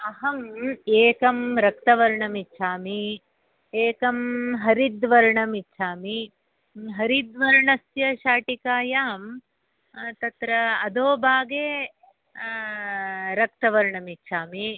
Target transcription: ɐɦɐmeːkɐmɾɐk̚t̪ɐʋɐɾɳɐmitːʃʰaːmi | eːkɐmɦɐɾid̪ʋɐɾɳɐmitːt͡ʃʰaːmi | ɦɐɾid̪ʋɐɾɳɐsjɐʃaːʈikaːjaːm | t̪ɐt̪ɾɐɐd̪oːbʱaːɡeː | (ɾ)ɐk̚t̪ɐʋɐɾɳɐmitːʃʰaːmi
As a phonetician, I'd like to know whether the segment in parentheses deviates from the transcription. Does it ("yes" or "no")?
no